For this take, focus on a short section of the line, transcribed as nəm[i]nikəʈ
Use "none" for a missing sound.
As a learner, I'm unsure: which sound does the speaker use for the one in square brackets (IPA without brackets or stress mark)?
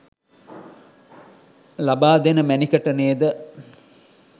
æ